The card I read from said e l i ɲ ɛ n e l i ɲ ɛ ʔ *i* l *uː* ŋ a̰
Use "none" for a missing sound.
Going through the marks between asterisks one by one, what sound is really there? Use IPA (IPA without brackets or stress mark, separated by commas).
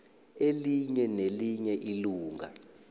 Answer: i, uː